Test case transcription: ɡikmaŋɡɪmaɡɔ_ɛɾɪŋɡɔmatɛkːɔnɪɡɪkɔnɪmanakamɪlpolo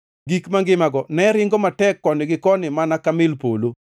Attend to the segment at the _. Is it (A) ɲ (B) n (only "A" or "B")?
B